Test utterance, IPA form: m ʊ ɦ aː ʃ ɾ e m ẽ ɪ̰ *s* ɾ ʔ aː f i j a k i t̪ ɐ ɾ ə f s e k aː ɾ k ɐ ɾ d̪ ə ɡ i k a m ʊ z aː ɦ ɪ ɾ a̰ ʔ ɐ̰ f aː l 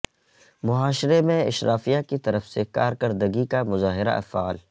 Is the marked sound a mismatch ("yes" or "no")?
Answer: yes